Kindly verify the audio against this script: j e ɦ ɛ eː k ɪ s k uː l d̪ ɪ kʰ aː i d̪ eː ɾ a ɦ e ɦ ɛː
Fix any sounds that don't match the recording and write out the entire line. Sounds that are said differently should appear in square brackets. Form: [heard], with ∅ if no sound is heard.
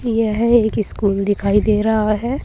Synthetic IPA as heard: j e ɦ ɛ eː k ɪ s k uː l d̪ ɪ kʰ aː i d̪ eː ɾ a ɦ [a] ɦ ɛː

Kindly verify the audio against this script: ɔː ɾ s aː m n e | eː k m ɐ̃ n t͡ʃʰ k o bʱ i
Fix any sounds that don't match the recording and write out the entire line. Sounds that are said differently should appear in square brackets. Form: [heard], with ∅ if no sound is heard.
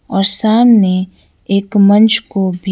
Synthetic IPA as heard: ɔː ɾ s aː m n e | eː k m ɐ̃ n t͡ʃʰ k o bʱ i

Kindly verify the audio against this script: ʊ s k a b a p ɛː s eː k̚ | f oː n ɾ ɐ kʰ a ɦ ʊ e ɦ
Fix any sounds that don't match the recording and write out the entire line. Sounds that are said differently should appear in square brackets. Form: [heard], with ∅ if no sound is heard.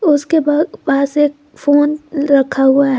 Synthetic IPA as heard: ʊ s k [e] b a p [aː] s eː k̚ | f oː n ɾ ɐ kʰ a ɦ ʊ [a] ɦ

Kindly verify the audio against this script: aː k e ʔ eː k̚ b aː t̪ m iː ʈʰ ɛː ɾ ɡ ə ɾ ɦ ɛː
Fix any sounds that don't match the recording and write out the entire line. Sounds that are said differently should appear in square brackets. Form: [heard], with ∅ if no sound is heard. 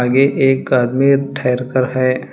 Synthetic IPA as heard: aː [ɡ] e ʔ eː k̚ [ɡ] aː [d̪] m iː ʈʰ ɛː ɾ [k] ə ɾ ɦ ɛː

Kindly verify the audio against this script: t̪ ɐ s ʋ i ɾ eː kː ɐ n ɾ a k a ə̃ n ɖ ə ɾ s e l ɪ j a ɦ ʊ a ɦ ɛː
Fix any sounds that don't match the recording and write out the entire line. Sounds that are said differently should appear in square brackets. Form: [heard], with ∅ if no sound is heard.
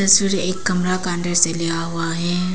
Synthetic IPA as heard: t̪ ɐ s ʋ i ɾ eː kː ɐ [m] ɾ a k a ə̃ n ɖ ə ɾ s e l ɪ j a ɦ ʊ a ɦ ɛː

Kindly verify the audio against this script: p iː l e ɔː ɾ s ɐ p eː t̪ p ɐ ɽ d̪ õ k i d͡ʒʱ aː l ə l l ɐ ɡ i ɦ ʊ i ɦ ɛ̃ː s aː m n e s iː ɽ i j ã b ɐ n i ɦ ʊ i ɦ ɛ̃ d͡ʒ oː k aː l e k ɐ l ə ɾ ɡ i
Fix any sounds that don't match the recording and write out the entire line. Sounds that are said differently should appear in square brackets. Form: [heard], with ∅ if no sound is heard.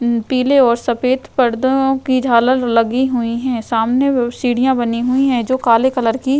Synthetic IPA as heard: p iː l e ɔː ɾ s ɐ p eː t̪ p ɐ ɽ d̪ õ k i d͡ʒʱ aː l ə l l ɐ ɡ i ɦ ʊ i ɦ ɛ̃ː s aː m n e s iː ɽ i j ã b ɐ n i ɦ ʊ i ɦ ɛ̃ d͡ʒ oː k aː l e k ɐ l ə ɾ [k] i

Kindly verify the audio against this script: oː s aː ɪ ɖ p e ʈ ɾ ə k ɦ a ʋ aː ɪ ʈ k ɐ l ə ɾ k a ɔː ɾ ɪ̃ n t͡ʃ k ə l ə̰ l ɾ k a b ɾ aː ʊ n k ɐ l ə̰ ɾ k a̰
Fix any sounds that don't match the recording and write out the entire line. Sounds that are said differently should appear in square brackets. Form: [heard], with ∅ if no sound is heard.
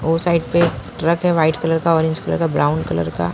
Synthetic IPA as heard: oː s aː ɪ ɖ p e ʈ ɾ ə k ɦ [ɛ] ʋ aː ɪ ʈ k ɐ l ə ɾ k a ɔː ɾ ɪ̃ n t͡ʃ k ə l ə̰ [∅] ɾ k a b ɾ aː ʊ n k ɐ l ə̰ ɾ k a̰

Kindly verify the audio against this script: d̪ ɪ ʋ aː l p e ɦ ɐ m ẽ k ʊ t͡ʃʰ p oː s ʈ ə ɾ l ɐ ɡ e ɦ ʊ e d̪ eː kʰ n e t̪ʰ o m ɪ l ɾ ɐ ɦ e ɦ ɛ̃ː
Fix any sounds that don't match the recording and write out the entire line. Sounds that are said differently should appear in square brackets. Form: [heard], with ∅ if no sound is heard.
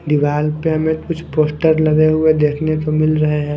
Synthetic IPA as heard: d̪ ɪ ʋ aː l p e ɦ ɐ m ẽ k ʊ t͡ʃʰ p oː s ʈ ə ɾ l ɐ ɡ e ɦ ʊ e d̪ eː kʰ n e [t̪] o m ɪ l ɾ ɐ ɦ e ɦ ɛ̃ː

